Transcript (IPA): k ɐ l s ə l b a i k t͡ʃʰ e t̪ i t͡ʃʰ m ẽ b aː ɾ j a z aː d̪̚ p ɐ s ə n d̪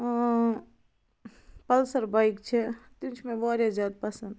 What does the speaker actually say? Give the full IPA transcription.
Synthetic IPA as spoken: p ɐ l s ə ɾ b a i k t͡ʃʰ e t̪ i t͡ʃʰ m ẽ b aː ɾ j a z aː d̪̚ p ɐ s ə n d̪